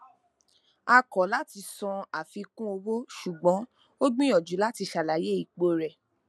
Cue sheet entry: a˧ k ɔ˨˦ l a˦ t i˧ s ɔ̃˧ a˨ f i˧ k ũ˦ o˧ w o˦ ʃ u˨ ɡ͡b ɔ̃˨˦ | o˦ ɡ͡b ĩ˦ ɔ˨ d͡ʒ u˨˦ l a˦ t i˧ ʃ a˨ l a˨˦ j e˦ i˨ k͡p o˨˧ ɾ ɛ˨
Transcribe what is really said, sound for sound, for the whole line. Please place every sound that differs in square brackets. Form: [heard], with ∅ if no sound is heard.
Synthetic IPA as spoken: a˧ k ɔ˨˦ l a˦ t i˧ s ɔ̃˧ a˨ f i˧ k ũ˦ o˧ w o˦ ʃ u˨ ɡ͡b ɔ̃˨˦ | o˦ ɡ͡b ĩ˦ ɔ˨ d͡ʒ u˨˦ l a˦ t i˧ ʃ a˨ l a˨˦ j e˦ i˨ k͡p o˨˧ ɾ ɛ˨